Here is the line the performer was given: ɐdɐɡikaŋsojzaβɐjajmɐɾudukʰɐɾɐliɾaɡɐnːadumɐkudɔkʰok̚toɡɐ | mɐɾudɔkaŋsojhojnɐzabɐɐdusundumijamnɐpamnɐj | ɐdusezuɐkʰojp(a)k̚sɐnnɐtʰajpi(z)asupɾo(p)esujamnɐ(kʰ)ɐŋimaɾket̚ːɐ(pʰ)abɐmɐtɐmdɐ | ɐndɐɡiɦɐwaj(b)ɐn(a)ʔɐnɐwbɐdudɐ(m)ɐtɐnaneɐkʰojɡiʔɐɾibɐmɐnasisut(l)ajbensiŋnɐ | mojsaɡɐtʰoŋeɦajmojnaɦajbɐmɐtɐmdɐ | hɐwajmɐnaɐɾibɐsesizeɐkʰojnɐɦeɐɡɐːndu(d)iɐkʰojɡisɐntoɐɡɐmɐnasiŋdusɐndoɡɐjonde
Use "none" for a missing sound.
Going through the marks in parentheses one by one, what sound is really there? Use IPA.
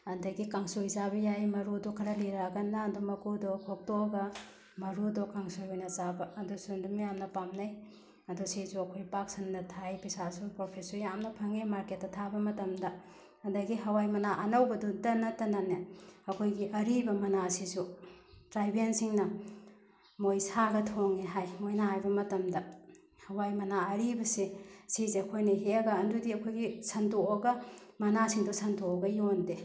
a, s, pʰ, pʰ, tʰ, m, a, n, ɾ, d

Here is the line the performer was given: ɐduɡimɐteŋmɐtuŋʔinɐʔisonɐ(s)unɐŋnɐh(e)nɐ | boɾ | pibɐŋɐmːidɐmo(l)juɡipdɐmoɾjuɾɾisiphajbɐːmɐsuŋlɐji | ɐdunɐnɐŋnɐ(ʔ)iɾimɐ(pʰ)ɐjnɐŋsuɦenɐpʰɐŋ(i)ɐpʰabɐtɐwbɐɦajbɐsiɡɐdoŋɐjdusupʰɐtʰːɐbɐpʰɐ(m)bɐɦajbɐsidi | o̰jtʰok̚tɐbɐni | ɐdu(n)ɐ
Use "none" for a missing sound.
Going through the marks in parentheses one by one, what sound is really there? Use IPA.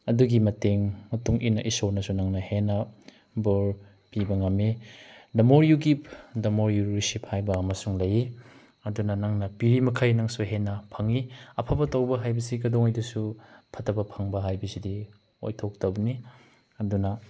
s, e, ɾ, p, kʰ, i, ŋ, n

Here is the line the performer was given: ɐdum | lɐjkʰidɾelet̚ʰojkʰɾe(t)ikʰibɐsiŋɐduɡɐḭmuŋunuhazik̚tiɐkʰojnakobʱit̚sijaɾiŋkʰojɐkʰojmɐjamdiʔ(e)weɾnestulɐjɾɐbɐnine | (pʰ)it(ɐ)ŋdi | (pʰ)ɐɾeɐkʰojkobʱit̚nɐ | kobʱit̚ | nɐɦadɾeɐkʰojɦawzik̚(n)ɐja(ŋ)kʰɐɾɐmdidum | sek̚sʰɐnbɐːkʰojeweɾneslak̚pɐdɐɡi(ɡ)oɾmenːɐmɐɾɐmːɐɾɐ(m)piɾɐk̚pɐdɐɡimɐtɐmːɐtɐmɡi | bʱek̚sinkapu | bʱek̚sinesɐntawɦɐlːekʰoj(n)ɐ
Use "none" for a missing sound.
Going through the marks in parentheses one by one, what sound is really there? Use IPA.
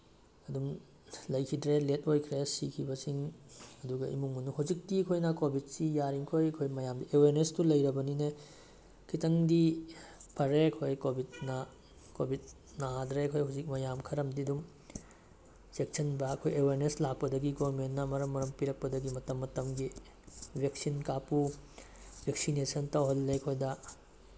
s, e, kʰ, ɐ, pʰ, m, m, ɡ, m, d

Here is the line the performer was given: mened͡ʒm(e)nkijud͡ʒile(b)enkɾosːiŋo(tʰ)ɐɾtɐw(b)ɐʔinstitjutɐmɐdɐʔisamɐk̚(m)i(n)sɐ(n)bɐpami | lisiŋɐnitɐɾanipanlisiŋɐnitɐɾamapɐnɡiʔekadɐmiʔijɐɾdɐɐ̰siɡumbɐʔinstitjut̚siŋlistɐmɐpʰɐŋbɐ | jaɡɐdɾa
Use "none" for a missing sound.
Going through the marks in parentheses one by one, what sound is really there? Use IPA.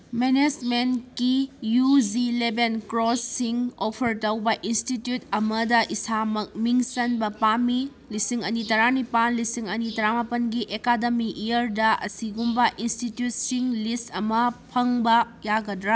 e, b, pʰ, b, m, ŋ, n

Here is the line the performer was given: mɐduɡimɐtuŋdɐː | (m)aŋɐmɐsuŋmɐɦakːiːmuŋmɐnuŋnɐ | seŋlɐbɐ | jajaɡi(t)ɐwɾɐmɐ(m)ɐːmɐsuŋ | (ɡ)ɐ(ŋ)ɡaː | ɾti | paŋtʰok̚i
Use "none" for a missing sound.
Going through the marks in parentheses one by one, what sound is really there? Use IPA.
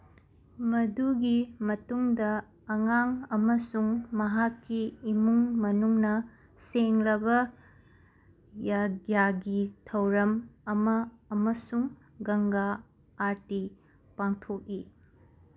ŋ, tʰ, m, ɡ, ŋ

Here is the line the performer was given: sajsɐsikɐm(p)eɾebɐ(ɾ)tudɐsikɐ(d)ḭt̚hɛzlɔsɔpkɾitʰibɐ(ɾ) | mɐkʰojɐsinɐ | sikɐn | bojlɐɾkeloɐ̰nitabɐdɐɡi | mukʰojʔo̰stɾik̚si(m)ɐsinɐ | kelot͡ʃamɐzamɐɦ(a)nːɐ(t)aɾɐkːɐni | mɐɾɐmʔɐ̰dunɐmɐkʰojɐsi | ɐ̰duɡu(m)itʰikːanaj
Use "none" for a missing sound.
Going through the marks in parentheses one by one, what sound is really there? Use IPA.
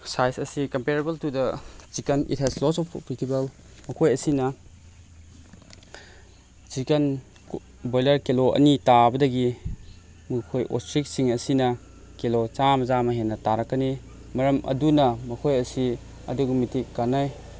p, l, n, l, ŋ, e, t, m

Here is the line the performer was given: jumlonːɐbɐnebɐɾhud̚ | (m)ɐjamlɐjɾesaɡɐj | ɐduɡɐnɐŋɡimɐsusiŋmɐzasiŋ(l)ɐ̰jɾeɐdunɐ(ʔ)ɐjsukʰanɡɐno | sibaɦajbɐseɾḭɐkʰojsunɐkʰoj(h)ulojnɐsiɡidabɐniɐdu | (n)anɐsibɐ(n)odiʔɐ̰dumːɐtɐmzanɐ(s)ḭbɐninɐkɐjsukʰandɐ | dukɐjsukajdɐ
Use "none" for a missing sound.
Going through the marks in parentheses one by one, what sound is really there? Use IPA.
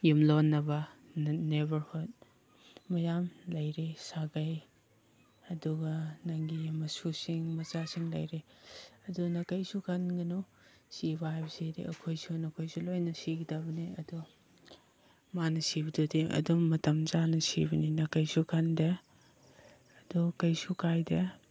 m, l, k, s, m, d, s

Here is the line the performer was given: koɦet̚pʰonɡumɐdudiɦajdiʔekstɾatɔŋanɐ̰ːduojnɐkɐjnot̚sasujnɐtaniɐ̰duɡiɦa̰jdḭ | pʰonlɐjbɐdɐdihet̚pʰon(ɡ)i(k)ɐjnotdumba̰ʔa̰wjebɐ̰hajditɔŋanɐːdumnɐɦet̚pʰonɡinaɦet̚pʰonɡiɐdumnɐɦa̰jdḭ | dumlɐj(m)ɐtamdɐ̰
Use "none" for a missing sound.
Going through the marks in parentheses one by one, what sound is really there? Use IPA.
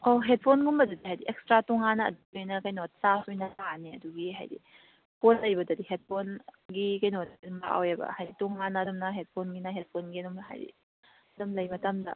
ɡ, k, m

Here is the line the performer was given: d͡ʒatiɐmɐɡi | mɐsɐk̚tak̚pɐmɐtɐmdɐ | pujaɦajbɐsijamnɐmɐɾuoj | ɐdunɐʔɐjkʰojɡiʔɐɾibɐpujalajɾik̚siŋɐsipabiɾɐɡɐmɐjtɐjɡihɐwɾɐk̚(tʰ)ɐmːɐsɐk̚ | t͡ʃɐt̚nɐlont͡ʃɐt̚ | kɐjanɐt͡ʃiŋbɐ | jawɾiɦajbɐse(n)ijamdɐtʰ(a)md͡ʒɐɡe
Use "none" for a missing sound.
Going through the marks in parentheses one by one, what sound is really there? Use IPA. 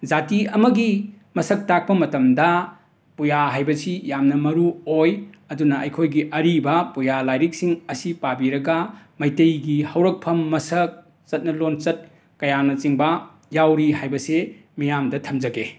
pʰ, m, ɐ

